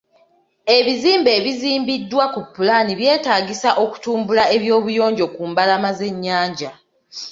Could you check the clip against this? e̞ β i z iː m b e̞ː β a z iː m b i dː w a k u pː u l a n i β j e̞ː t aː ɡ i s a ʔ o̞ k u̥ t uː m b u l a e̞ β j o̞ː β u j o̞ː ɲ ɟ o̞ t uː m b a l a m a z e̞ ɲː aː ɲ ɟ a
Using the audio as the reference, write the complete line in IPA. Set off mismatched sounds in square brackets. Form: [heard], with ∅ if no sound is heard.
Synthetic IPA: e̞ β i z iː m b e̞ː β [i] z iː m b i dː w a k u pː u l a n i β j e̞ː t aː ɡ i s a ʔ o̞ k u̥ t uː m b u l a e̞ β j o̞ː β u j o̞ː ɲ ɟ o̞ [k] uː m b a l a m a z e̞ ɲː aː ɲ ɟ a